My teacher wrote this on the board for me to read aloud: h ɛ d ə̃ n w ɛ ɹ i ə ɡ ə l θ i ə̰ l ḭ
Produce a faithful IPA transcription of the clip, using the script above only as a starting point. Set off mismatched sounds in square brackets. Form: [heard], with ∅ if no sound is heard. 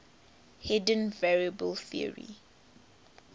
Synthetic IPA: h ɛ d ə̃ n [v] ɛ ɹ i ə [b] ə l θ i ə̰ [ɹ] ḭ

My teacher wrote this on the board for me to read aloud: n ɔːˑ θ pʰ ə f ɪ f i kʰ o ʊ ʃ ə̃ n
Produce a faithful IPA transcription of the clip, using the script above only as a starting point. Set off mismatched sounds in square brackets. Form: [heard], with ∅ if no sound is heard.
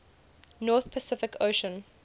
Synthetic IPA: n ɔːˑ θ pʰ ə [s] ɪ f [ɪ] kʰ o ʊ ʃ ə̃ n

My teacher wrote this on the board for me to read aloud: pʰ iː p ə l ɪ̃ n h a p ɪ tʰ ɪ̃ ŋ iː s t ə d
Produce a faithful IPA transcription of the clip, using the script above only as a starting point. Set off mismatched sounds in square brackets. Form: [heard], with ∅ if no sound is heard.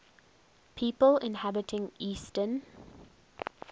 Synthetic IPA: pʰ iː p ə l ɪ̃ n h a [b] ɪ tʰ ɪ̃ ŋ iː s t ə [n]

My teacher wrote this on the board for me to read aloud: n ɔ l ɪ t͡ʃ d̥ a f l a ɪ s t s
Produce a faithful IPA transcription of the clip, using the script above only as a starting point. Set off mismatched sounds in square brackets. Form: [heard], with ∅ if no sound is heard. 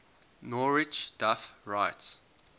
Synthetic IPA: n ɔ [ɹ] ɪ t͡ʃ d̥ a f [ɹ] a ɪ [∅] t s

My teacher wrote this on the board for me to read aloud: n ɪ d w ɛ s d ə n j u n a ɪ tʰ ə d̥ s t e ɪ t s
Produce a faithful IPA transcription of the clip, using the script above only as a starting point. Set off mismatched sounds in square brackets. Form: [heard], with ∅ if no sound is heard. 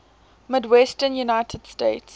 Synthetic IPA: [m] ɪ d w ɛ s [t] ə n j u n a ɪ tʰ ə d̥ s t e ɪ t s

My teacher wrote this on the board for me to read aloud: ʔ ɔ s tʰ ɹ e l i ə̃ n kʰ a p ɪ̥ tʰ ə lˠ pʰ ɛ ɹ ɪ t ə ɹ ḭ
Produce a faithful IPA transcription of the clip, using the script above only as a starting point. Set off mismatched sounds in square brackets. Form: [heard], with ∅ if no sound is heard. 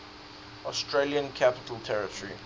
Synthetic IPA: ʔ ɔ s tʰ ɹ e l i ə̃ n kʰ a p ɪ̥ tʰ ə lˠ [tʰ] ɛ ɹ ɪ t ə ɹ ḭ

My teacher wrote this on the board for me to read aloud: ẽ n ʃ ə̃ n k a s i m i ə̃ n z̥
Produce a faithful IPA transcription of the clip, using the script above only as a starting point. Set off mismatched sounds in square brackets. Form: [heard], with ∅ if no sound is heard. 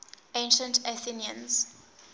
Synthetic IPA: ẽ n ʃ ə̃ n [t] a [θ] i [n] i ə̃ n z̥

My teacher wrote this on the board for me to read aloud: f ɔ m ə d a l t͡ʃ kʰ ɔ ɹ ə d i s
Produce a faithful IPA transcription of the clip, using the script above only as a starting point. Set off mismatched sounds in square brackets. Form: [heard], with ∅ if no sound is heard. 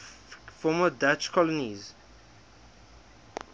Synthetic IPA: f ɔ m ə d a [∅] t͡ʃ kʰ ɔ [l] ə [n] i [z]

